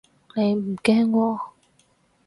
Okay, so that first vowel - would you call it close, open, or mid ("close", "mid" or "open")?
mid